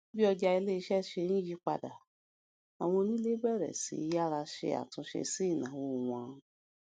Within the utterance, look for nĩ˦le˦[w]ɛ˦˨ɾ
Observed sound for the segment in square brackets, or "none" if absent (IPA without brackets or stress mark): b